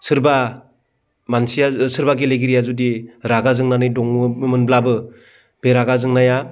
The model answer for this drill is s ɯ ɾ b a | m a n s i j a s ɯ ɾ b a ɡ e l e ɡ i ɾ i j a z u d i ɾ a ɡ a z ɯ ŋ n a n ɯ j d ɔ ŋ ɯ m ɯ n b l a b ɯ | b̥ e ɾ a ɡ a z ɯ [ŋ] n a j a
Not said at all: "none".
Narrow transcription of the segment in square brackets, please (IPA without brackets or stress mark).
ŋ